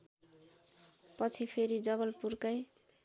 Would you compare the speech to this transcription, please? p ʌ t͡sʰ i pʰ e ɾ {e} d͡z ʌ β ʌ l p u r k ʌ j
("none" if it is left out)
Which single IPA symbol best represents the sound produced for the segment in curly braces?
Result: i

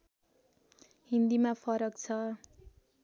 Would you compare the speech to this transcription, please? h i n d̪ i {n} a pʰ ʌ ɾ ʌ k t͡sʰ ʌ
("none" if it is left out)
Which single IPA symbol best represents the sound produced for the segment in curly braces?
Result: m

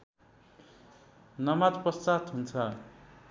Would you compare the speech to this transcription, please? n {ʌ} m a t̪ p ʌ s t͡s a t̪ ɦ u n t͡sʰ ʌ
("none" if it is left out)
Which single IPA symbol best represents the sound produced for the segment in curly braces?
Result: ʌ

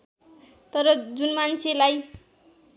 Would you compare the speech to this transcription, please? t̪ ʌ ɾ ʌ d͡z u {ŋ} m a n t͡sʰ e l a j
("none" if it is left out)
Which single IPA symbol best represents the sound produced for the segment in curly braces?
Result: n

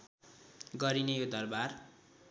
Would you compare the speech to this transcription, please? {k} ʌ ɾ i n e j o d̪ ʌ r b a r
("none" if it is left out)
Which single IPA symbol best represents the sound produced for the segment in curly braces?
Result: ɡ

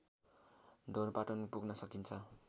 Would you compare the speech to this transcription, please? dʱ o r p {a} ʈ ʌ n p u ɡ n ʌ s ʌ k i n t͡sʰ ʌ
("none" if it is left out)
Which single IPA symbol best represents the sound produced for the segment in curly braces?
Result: a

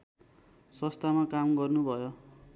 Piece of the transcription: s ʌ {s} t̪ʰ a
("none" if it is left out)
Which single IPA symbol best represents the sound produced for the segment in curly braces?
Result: s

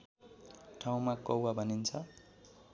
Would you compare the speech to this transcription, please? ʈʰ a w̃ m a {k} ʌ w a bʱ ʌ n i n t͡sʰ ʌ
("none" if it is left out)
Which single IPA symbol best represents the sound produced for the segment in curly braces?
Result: k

